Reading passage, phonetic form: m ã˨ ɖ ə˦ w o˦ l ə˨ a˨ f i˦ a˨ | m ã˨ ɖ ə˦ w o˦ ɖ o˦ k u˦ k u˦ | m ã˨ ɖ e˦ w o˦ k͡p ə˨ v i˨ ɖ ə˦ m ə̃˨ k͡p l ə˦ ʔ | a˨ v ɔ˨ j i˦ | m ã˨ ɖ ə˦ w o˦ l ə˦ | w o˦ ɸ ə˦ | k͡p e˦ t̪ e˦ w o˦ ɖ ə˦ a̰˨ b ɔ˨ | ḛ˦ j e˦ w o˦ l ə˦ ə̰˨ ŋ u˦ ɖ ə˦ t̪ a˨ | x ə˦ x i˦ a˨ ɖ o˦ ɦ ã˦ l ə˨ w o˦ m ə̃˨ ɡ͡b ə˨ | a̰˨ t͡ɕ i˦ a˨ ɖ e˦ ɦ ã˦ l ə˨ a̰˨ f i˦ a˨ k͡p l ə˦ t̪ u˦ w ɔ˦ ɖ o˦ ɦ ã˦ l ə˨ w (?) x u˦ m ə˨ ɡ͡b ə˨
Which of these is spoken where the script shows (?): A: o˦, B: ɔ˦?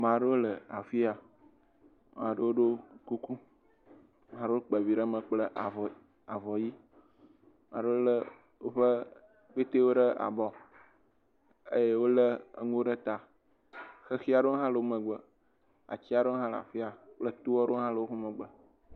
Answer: A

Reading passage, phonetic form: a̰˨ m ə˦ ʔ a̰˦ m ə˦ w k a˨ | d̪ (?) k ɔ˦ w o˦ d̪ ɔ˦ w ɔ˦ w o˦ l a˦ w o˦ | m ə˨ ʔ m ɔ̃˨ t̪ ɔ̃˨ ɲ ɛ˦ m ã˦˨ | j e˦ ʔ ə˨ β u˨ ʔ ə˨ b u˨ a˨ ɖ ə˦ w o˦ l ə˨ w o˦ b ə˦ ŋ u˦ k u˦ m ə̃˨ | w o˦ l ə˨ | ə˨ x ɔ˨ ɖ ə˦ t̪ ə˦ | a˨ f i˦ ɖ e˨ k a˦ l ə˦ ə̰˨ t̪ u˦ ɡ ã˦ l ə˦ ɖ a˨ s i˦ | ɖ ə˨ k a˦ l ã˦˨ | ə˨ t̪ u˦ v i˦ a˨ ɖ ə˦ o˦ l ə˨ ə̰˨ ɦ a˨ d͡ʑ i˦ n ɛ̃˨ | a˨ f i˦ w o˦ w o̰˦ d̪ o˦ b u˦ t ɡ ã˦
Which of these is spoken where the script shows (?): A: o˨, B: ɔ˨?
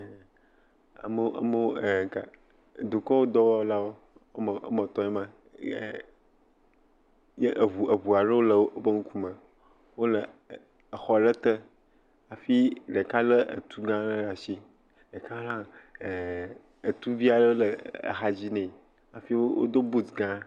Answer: A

